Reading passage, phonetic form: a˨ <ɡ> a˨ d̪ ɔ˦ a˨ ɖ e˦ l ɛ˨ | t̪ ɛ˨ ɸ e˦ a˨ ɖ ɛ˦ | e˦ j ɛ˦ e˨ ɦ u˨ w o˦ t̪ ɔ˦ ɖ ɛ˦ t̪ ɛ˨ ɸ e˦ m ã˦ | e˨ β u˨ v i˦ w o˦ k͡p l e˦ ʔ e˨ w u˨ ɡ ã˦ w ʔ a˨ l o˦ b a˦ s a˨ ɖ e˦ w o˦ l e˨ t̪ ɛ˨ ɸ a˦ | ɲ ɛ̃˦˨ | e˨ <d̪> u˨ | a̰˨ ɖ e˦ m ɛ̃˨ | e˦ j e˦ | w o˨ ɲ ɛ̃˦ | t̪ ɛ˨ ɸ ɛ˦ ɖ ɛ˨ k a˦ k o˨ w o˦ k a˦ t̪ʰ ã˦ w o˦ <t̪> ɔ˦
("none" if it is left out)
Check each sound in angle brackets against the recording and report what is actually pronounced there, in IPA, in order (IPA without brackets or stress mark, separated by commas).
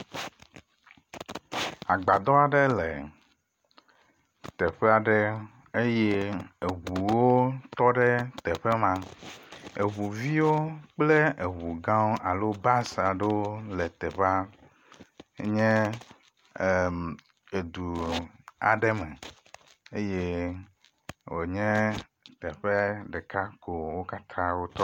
ɡ͡b, d̪, t̪